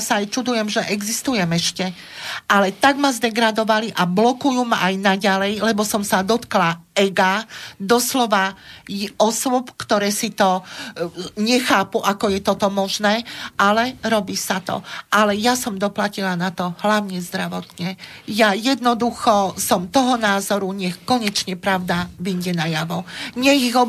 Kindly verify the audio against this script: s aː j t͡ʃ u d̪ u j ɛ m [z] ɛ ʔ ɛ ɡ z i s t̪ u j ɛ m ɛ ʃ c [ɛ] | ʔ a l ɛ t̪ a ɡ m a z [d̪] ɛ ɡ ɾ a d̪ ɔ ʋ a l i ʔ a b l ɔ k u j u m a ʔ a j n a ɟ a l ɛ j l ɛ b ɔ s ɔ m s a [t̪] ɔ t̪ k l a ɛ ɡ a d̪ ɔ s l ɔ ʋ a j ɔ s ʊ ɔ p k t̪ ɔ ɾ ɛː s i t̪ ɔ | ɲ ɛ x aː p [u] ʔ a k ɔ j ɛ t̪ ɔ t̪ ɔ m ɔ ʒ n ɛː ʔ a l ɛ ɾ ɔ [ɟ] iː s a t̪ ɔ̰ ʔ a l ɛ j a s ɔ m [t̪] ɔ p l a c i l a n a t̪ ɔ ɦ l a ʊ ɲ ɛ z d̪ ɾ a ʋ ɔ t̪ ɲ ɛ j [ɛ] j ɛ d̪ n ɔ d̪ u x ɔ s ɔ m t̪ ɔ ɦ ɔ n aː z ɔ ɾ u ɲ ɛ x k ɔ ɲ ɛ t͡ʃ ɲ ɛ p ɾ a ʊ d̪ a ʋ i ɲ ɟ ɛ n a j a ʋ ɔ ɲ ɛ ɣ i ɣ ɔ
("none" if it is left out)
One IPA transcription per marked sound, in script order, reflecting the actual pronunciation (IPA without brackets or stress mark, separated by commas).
ʒ, ɛ, d̪, d̪, u, b, d̪, a